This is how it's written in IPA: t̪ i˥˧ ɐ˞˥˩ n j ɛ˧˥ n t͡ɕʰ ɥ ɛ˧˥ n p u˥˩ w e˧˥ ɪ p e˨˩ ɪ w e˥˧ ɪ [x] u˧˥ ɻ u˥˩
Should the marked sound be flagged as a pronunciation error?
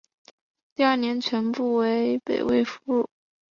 yes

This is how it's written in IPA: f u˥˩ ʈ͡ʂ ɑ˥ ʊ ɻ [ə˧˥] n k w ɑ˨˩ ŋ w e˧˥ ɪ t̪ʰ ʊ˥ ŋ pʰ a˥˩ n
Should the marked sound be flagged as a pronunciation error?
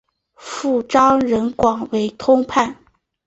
no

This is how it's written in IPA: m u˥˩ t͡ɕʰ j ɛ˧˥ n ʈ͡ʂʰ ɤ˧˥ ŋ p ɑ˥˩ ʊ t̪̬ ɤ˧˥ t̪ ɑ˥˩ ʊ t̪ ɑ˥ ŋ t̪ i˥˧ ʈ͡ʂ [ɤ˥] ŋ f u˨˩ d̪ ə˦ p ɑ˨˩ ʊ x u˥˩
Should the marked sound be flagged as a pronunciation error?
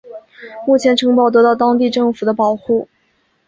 yes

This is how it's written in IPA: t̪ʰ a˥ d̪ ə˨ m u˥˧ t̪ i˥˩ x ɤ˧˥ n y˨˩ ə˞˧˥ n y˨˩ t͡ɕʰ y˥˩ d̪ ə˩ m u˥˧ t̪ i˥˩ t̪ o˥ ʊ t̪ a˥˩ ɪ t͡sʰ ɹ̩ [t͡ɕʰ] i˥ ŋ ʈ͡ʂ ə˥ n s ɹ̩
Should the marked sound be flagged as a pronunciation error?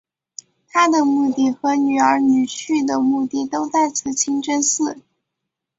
no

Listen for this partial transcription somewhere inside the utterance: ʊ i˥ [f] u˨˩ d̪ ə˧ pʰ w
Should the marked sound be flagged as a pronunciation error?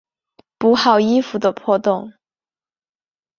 no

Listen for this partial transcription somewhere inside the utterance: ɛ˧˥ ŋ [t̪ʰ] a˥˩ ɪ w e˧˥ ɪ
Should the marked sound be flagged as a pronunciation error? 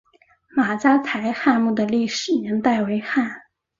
yes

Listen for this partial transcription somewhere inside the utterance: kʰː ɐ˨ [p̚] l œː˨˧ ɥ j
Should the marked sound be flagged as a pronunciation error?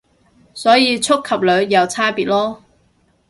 no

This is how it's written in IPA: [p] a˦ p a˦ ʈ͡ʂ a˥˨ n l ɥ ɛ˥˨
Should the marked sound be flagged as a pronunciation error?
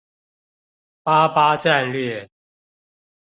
no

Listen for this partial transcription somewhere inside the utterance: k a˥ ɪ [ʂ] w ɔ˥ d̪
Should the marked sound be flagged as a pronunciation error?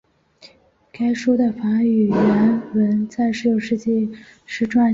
no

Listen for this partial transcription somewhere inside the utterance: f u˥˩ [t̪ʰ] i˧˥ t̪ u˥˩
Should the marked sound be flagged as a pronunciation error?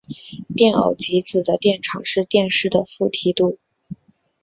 no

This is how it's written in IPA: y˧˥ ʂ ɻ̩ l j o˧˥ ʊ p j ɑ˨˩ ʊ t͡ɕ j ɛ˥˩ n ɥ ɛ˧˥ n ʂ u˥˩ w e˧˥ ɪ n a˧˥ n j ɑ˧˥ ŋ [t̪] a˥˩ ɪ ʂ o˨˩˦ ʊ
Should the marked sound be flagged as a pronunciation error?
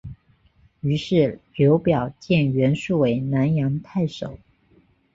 yes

